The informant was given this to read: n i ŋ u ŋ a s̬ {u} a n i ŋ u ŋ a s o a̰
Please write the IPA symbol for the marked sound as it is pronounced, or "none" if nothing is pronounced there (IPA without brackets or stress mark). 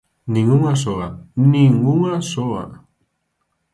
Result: o